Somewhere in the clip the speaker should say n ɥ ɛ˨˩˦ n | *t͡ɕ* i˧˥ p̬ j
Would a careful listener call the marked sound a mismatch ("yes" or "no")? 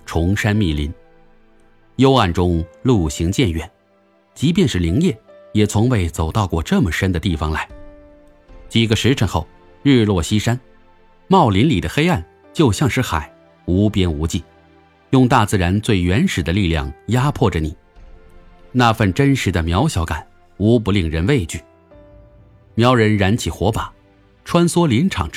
no